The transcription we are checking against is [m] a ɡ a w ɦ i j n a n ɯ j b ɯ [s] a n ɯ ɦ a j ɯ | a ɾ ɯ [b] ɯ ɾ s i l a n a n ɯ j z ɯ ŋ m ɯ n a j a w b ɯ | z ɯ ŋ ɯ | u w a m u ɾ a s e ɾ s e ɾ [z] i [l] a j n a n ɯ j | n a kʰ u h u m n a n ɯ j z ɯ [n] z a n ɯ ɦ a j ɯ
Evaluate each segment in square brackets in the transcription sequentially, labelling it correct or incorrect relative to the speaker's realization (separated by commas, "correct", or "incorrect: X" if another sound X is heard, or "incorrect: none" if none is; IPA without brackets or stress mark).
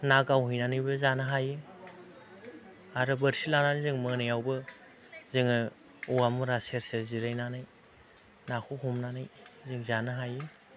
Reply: incorrect: n, incorrect: z, correct, correct, incorrect: ɾ, incorrect: ŋ